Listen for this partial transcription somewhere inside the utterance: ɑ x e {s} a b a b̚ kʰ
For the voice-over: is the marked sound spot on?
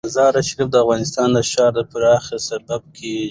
yes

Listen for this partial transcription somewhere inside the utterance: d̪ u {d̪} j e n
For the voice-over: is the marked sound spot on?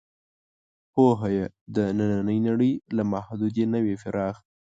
yes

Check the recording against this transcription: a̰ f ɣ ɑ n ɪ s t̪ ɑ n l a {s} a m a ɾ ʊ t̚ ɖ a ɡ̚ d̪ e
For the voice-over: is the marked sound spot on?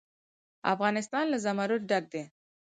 no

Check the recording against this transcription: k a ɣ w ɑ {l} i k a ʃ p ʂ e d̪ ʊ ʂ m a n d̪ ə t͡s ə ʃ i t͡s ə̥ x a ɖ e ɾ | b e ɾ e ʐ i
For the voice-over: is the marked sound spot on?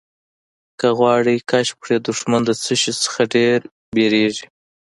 no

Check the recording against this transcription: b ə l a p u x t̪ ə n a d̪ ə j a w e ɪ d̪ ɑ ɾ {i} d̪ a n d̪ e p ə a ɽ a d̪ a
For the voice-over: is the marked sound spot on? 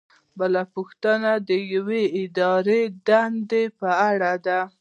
no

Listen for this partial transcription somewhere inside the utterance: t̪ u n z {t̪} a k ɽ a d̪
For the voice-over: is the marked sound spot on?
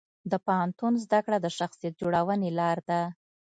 no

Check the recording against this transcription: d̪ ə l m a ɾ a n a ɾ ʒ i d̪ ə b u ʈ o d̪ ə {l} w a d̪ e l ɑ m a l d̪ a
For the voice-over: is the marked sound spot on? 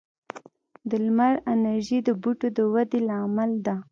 no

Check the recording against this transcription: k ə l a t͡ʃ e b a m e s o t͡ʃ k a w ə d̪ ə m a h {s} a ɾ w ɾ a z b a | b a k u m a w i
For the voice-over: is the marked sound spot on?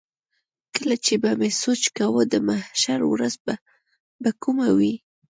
no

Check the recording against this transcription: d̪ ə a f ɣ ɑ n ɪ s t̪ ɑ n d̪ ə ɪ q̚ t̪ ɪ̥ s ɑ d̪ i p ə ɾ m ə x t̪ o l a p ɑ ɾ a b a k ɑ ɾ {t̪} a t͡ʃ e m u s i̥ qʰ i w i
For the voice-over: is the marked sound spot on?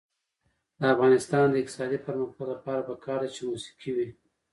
no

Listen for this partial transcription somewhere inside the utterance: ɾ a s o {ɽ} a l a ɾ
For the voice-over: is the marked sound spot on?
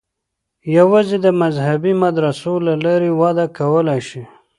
no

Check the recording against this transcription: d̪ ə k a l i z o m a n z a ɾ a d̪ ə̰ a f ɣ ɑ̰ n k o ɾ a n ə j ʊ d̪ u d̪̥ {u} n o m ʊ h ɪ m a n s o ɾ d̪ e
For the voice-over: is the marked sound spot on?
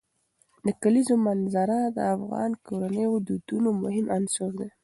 yes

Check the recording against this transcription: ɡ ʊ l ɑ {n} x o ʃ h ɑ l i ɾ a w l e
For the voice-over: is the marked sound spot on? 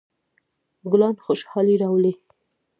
yes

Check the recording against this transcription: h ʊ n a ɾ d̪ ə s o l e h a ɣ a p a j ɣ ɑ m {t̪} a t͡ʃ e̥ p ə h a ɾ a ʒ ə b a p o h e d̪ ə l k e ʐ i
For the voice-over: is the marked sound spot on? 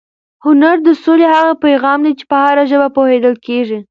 no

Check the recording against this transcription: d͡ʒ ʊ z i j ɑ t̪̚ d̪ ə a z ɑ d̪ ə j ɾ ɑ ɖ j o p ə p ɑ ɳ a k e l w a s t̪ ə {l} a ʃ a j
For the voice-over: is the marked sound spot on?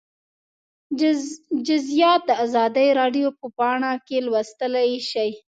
yes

